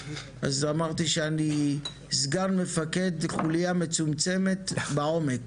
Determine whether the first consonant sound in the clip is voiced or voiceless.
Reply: voiced